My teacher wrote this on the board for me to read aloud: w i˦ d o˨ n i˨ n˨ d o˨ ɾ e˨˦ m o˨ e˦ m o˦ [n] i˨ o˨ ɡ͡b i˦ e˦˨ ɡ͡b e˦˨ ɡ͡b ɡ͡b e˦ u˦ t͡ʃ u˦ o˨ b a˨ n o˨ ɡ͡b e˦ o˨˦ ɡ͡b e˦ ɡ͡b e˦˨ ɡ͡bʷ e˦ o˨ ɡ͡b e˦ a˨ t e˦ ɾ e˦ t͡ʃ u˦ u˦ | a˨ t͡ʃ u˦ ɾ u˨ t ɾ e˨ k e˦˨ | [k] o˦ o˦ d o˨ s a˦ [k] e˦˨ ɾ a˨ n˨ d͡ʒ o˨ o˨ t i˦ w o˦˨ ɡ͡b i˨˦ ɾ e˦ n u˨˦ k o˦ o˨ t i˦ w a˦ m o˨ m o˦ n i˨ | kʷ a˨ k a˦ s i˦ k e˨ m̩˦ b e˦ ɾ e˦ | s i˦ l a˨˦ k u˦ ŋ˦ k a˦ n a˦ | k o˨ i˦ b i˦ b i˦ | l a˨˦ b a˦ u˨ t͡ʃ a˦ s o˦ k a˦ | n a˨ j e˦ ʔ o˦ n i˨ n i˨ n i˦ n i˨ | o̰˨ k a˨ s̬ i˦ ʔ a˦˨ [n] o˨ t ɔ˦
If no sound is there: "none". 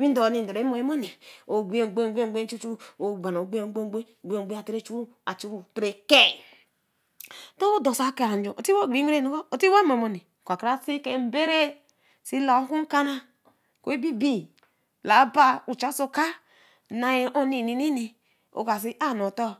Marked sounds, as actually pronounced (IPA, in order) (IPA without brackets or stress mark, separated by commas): n, t, k, n